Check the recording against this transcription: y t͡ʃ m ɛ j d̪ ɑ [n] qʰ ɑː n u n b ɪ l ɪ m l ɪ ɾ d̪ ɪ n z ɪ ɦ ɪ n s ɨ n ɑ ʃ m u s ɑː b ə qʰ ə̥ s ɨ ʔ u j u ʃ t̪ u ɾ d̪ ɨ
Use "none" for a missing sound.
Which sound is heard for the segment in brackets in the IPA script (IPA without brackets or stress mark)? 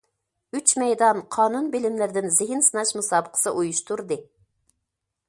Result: n